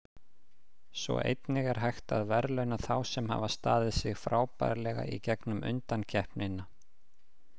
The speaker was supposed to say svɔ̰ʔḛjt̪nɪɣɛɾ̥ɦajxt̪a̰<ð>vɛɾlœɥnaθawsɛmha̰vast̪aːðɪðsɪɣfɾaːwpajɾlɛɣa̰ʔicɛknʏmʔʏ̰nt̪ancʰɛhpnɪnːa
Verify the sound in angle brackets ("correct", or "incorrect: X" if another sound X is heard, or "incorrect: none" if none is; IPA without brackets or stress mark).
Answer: correct